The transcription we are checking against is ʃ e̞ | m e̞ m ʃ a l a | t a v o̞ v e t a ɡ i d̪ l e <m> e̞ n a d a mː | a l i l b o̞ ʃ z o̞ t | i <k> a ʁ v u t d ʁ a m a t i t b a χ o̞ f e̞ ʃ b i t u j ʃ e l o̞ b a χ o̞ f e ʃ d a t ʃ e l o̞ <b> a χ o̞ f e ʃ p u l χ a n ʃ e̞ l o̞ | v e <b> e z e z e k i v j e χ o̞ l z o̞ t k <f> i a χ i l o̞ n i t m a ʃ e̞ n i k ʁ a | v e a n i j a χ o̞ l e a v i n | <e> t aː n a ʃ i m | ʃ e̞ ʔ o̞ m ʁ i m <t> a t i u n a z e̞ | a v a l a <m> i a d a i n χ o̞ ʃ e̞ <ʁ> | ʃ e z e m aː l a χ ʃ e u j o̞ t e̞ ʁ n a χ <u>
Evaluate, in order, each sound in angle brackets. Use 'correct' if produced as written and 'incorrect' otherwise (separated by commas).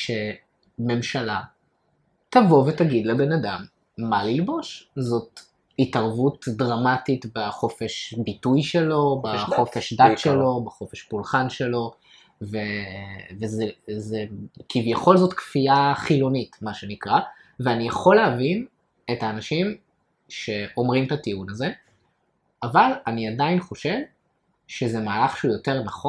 incorrect, incorrect, correct, incorrect, correct, correct, correct, incorrect, incorrect, incorrect